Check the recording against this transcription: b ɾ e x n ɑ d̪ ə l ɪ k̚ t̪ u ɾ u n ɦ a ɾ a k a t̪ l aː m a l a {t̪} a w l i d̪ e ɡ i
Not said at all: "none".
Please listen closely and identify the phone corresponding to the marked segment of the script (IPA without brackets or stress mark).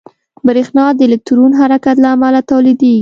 t̪